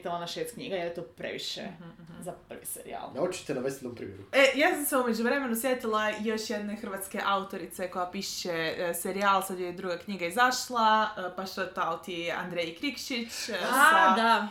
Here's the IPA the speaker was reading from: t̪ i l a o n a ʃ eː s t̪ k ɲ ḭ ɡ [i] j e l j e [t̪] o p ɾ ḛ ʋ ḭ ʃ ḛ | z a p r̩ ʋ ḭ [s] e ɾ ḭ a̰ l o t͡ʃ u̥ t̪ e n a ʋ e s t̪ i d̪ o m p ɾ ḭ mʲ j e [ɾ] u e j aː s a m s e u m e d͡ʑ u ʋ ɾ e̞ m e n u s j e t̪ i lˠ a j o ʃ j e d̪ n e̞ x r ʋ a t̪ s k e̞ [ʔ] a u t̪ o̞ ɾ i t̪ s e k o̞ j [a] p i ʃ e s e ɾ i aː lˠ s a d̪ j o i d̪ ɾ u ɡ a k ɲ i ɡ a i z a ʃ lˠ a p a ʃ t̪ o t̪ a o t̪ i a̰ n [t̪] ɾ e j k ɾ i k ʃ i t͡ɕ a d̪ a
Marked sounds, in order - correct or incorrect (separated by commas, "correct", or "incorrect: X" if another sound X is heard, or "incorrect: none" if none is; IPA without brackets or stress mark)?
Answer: incorrect: a, correct, correct, correct, correct, correct, incorrect: d̪